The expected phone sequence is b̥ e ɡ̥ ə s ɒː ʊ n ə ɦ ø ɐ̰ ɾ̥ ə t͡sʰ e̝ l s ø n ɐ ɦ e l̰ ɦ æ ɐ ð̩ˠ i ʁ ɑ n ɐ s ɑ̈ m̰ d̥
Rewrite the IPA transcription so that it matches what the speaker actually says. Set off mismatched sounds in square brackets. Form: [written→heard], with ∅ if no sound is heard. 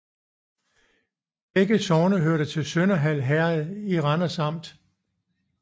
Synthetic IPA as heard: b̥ e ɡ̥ ə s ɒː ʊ n ə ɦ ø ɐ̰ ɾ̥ ə t͡sʰ e̝ l s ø n ɐ ɦ [e→æ] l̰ ɦ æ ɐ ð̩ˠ i ʁ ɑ n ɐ s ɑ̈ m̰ d̥